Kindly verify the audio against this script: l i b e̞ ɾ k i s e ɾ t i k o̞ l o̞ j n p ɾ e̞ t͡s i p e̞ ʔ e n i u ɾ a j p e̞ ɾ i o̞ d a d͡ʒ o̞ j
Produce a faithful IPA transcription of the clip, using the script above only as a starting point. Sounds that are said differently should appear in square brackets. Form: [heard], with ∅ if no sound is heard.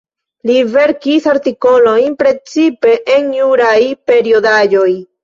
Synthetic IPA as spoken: l i [v] e̞ ɾ k i s [a] ɾ t i k o̞ l o̞ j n p ɾ e̞ t͡s i p e̞ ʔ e n [j] u ɾ a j p e̞ ɾ i o̞ d a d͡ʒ o̞ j